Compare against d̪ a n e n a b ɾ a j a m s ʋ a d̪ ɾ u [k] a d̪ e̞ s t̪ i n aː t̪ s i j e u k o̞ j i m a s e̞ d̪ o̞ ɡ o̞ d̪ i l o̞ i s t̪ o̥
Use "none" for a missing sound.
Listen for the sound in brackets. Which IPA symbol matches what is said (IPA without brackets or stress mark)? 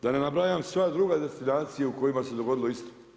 ɡ